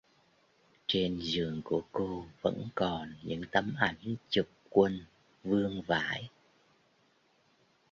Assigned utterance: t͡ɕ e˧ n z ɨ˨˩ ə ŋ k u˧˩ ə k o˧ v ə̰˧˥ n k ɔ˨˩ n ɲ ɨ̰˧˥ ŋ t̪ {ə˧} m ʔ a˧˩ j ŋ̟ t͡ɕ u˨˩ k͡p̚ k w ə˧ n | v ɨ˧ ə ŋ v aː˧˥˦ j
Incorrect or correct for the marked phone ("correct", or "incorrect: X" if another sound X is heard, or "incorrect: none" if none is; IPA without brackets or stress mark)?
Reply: correct